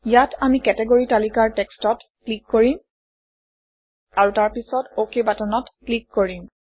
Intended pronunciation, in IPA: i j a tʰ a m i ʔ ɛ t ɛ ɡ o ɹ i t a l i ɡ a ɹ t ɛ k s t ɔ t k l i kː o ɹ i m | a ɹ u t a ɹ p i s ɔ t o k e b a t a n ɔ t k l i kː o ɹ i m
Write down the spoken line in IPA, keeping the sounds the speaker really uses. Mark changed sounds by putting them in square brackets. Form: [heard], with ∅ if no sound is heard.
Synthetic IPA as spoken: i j a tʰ a m i [k] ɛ t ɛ ɡ o ɹ i t a l i [k] a ɹ t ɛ k s t ɔ t k l i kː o ɹ i m | a ɹ u t a ɹ p i s ɔ t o k e b a t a n ɔ t k l i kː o ɹ i m